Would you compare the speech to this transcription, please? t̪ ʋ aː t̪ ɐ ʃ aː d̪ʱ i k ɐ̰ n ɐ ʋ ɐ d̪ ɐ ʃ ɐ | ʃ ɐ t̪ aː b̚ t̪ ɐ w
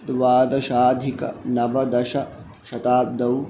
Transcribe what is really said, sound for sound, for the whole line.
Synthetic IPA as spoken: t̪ ʋ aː d̪ ɐ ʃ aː d̪ʱ i k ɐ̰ n ɐ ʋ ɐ d̪ ɐ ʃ ɐ | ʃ ɐ t̪ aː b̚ d̪ ɐ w